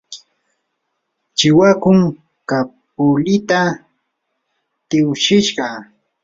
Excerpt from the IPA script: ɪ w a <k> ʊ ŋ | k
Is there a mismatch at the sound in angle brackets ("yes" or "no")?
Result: no